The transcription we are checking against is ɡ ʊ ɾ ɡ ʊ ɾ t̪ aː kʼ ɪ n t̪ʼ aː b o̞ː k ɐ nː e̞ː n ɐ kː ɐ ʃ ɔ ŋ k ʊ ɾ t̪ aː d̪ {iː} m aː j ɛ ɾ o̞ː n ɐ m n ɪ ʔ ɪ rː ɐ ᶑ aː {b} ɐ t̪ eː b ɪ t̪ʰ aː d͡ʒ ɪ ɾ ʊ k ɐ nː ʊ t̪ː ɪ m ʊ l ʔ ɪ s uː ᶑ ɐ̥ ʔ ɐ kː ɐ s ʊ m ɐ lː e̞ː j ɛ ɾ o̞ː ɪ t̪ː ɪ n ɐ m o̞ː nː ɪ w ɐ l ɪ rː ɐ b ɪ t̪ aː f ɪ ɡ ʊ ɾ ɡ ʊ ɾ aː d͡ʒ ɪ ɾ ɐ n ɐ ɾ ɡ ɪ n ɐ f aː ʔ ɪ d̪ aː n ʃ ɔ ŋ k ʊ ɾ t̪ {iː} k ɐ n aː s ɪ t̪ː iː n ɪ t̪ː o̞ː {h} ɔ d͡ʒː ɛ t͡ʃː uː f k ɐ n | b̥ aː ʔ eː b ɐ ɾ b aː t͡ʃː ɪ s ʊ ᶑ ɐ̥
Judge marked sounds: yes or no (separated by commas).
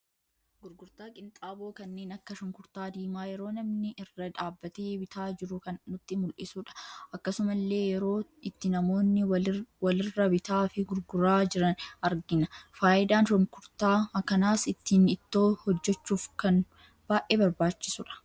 yes, no, no, yes